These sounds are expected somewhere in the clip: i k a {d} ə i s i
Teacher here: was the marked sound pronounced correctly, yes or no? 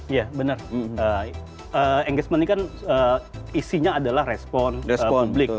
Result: no